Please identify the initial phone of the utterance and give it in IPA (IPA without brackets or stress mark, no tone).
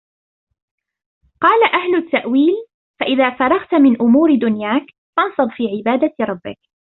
q